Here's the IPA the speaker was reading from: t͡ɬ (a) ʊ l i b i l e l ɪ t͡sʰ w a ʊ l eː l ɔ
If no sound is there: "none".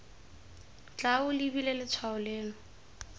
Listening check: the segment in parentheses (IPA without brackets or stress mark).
a